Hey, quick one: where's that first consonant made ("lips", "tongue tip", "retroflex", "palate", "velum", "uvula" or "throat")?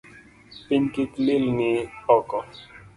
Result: lips